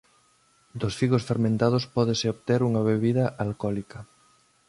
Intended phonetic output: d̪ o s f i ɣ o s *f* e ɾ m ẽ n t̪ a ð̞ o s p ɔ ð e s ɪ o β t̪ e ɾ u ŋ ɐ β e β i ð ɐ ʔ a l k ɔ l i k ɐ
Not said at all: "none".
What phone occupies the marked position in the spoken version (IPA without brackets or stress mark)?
f